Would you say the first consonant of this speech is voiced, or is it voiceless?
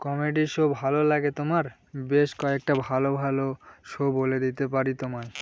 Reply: voiceless